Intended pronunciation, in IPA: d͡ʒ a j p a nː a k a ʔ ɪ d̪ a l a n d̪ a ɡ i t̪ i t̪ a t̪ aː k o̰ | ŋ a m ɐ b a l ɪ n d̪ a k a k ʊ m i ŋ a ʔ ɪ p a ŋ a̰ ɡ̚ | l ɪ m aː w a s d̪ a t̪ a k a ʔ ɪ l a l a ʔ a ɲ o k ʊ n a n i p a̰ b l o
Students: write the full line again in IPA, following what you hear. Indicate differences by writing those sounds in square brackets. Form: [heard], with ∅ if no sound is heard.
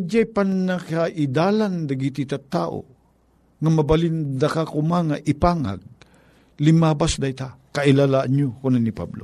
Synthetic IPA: d͡ʒ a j p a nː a k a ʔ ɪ d̪ a l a n d̪ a ɡ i t̪ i t̪ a t̪ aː [ʔ] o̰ | ŋ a m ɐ b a l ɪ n d̪ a k a k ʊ m [a] ŋ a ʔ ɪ p a ŋ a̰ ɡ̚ | l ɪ m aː [b] a s d̪ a t̪ a k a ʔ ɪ l a l a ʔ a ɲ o k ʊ n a n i p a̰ b l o